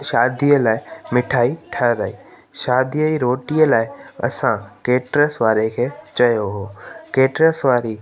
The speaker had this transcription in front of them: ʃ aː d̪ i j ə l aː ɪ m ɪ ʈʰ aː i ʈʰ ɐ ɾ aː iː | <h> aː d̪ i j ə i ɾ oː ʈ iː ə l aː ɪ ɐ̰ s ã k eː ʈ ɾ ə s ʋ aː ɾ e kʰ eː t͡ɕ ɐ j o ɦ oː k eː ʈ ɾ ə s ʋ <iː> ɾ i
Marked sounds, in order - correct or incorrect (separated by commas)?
incorrect, incorrect